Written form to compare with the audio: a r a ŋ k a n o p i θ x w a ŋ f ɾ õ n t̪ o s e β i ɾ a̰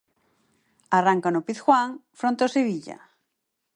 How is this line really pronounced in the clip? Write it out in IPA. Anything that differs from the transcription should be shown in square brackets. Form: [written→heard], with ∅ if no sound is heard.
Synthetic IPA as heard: a r a ŋ k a n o p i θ x w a ŋ f ɾ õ n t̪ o s e β i [ɾ→ʎ] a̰